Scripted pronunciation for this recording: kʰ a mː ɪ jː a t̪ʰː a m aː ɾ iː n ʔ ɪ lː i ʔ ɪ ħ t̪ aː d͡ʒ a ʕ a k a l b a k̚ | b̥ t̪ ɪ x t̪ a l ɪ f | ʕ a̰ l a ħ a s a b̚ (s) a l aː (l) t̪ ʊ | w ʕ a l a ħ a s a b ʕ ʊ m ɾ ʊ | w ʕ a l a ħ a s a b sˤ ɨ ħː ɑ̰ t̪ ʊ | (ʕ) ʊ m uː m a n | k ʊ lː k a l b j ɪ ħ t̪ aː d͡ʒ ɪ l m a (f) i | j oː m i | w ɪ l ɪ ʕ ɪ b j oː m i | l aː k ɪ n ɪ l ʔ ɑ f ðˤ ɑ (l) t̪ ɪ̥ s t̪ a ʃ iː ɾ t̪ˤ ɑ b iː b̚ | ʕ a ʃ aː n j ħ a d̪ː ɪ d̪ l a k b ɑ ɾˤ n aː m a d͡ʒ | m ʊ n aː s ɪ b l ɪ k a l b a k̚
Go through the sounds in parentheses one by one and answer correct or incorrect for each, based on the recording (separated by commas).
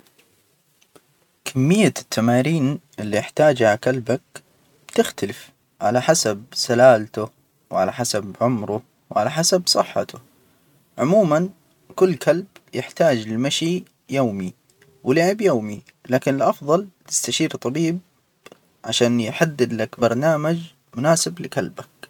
correct, correct, correct, incorrect, correct